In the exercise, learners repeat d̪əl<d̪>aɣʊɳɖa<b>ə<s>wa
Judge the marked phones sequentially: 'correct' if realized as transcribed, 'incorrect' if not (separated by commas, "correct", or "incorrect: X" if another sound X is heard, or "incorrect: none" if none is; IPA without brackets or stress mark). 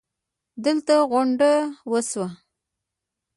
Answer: incorrect: t̪, incorrect: w, correct